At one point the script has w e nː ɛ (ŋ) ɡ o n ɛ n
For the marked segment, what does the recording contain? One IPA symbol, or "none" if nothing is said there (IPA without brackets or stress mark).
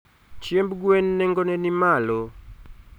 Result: ŋ